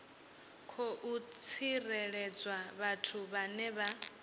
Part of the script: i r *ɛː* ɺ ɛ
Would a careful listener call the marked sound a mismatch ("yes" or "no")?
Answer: yes